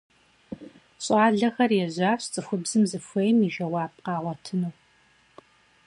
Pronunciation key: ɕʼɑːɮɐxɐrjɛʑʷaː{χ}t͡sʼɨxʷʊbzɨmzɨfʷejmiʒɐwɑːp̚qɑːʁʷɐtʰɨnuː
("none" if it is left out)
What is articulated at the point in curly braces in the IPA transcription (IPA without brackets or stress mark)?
ɕ